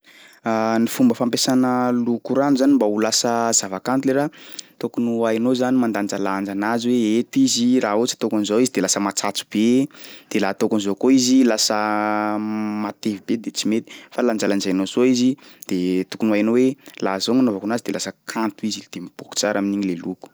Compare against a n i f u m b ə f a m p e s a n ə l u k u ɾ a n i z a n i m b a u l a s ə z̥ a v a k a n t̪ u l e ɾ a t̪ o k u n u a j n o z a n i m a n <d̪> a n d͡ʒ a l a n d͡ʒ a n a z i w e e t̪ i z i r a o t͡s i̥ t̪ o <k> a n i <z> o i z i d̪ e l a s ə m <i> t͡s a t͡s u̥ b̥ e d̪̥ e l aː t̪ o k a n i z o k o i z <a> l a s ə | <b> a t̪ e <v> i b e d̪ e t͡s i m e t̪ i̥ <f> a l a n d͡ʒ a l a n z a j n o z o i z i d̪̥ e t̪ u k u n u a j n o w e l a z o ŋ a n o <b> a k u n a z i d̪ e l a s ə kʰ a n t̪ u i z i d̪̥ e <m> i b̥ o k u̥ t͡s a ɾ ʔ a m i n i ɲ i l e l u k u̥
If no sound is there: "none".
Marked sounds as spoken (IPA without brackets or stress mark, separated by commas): d̪, k, z, a, i, m, v, f, v, m